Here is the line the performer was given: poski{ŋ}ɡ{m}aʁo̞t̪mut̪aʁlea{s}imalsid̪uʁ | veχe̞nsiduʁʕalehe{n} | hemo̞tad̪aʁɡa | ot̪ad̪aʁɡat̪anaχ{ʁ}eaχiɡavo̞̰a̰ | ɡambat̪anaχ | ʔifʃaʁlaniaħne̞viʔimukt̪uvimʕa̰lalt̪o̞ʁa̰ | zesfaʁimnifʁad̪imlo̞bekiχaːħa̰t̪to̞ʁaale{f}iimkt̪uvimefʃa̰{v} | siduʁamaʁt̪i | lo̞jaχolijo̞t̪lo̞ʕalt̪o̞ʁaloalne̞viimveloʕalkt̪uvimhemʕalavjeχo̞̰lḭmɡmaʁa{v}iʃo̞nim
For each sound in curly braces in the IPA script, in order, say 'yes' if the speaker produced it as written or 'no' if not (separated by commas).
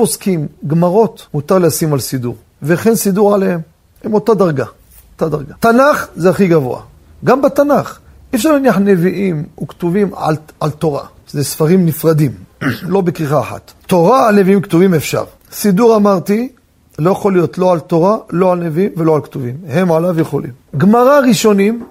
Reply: no, yes, yes, no, no, no, no, no